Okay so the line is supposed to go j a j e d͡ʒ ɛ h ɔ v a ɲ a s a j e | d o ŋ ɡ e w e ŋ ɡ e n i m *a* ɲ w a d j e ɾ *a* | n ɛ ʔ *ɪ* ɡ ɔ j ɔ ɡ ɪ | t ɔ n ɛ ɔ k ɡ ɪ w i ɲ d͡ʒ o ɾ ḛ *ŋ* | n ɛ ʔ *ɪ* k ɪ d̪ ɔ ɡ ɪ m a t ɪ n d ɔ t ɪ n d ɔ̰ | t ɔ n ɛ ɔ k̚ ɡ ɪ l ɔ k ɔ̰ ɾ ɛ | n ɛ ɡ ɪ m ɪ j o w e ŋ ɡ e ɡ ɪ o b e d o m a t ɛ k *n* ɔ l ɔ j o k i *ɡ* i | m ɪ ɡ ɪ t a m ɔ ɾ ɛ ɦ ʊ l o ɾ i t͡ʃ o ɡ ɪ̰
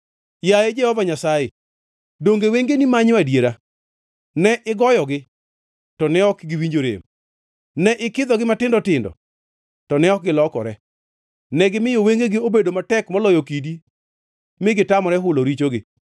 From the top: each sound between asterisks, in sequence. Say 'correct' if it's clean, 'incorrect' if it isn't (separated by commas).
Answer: correct, correct, correct, incorrect, correct, incorrect, incorrect